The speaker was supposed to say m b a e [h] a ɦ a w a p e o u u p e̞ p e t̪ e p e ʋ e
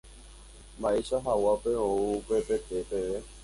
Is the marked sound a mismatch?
yes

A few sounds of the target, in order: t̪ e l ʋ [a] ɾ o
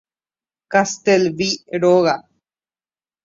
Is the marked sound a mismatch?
yes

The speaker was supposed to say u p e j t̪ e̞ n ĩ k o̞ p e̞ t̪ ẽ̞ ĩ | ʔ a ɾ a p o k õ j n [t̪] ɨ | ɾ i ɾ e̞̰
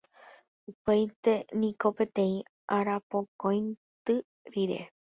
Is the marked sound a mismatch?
no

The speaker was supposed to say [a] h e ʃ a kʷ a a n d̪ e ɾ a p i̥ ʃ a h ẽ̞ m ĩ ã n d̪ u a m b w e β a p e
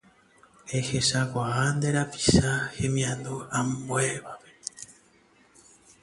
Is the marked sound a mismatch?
yes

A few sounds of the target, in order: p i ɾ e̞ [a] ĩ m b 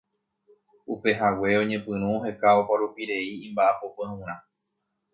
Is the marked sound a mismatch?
yes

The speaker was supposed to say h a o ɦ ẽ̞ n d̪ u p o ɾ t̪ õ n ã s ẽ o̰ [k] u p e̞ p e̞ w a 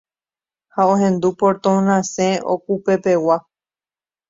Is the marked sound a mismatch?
no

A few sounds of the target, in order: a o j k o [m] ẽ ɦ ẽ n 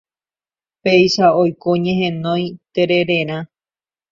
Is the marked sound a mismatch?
yes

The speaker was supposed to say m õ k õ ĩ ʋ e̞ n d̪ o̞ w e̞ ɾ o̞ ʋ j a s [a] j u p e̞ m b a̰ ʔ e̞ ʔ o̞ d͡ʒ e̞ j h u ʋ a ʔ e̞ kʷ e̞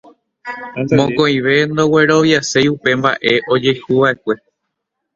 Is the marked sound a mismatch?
yes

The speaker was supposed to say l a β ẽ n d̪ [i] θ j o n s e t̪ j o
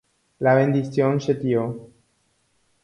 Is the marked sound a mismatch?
no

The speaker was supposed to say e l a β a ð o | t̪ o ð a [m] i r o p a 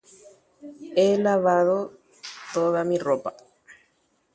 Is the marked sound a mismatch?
no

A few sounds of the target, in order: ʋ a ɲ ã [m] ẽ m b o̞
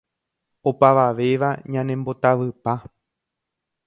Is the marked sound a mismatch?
yes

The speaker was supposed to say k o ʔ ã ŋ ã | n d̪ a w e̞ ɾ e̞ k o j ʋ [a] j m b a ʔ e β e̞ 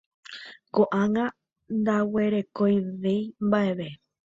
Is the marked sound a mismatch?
yes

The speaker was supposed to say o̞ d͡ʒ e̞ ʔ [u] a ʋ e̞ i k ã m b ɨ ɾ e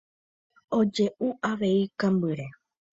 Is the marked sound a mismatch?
no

